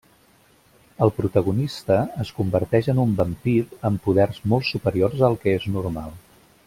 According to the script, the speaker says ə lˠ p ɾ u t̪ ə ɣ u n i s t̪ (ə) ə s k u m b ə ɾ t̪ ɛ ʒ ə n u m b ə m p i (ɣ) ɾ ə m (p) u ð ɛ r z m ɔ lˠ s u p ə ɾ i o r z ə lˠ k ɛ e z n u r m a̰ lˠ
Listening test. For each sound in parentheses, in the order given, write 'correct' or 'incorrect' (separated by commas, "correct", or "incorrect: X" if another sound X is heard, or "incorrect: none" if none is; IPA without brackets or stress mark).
correct, incorrect: none, correct